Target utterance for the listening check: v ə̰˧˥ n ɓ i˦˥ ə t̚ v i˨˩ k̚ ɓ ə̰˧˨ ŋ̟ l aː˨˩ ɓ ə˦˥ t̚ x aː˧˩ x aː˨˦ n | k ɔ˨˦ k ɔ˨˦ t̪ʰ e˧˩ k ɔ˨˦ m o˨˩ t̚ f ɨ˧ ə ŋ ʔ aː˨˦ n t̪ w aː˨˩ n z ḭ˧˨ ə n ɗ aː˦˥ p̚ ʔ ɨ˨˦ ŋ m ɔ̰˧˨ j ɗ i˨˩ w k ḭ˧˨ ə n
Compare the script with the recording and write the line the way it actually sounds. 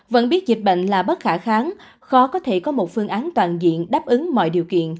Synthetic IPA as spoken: v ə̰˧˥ n ɓ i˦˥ ə t̚ z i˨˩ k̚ ɓ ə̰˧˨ ŋ̟ l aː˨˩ ɓ ə˦˥ t̚ x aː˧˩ x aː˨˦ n | x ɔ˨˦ k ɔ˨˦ t̪ʰ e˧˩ k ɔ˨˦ m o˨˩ t̚ f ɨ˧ ə ŋ ʔ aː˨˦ n t̪ w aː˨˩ n z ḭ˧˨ ə n ɗ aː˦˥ p̚ ʔ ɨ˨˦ ŋ m ɔ̰˧˨ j ɗ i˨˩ w k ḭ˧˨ ə n

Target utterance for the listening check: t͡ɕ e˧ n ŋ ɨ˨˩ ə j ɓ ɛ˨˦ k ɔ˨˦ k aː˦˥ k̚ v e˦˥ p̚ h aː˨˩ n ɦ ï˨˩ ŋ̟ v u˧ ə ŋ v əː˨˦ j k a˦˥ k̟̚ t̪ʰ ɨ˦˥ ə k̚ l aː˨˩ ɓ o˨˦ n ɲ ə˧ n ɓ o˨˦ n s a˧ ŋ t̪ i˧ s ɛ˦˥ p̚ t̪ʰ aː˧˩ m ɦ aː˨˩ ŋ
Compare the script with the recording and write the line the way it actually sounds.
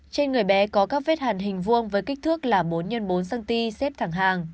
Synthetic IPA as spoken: t͡ɕ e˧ n ŋ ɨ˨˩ ə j ɓ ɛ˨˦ k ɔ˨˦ k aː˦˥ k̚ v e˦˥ t̚ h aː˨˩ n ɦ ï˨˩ ŋ̟ v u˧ ə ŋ v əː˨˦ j k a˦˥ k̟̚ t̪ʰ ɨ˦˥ ə k̚ l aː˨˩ ɓ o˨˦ n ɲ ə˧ n ɓ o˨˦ n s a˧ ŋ t̪ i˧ s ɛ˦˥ p̚ t̪ʰ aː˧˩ ŋ ɦ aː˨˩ ŋ

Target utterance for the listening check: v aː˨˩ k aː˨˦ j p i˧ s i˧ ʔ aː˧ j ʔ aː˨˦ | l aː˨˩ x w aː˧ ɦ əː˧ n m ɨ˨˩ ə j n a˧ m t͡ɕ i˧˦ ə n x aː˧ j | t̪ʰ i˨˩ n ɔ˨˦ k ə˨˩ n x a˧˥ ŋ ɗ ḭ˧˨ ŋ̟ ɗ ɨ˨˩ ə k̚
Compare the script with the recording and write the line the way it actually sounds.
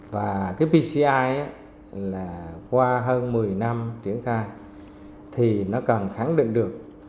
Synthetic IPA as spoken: v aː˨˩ k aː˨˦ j p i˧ s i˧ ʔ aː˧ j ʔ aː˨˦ | l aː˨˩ k w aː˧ ɦ əː˧ n m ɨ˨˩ ə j n a˧ m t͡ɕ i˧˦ ə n x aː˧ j | t̪ʰ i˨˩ n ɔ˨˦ k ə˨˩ n x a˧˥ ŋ ɗ ḭ˧˨ ŋ̟ ɗ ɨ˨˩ ə k̚

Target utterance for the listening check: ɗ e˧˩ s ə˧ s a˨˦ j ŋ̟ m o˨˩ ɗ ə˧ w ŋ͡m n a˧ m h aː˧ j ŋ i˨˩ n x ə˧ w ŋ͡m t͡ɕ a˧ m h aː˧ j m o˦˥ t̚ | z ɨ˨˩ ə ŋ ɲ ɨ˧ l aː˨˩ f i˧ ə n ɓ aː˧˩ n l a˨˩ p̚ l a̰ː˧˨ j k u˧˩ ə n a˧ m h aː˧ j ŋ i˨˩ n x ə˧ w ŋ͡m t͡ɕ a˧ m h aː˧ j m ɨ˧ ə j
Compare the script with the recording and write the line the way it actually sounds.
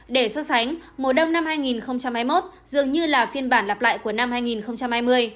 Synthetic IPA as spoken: ɗ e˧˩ s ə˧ s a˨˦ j ŋ̟ m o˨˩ ɗ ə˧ w ŋ͡m n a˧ m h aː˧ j ŋ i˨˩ n x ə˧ w ŋ͡m t͡ɕ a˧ m h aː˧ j m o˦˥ t̚ | z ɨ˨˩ ə ŋ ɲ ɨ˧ l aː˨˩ f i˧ ə n ɓ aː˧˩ n l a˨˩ p̚ l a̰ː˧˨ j k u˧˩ ə n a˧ m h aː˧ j ŋ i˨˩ n x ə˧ w ŋ͡m t͡ɕ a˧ m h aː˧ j m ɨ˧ ə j

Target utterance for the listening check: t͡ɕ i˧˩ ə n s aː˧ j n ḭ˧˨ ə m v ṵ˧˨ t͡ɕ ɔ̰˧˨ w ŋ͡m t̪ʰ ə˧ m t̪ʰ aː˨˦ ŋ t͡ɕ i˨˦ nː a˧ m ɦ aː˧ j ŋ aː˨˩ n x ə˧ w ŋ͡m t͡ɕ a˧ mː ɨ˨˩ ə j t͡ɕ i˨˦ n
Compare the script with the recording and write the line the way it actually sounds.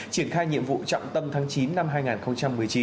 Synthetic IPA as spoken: t͡ɕ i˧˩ ə n x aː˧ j ɲ ḭ˧˨ ə m v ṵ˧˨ t͡ɕ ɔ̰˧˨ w ŋ͡m t̪ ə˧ m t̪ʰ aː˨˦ ŋ t͡ɕ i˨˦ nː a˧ m ɦ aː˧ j ŋ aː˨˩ n x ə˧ w ŋ͡m t͡ɕ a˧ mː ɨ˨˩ ə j t͡ɕ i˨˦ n

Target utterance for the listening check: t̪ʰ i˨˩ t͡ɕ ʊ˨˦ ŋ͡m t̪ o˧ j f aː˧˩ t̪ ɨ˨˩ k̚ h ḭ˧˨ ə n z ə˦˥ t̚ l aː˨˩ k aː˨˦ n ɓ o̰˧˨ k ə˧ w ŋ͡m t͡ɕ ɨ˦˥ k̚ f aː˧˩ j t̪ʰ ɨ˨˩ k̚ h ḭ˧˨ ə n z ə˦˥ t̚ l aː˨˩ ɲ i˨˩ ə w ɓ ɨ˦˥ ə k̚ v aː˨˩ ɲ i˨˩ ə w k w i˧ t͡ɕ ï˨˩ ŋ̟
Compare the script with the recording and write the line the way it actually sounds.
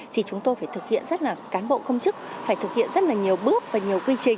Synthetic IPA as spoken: t̪ʰ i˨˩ t͡ɕ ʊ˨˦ ŋ͡m t̪ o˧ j f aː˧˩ t̪ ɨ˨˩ k̚ h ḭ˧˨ ə n z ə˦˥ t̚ l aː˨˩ k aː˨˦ n ɓ o̰˧˨ k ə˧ w ŋ͡m t͡ɕ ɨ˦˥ k̚ f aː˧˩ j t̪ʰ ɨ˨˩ k̚ h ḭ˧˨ ə n z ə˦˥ t̚ l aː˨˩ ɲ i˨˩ ə w ɓ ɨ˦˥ ə k̚ v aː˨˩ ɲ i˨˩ ə w k w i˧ t͡ɕ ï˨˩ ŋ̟

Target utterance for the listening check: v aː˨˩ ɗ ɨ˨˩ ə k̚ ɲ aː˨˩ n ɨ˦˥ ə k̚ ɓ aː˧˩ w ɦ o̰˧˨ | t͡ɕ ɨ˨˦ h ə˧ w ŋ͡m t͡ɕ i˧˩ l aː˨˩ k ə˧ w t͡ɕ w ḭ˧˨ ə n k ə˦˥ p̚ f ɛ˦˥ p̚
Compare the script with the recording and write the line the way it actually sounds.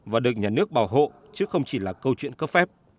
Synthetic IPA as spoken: v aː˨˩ ɗ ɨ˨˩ ə k̚ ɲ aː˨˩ n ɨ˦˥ ə k̚ ɓ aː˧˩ w ɦ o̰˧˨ | t͡ɕ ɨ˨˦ x ə˧ w ŋ͡m t͡ɕ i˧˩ l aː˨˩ k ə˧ w t͡ɕ w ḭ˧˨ ə n k ə˦˥ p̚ f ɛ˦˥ p̚

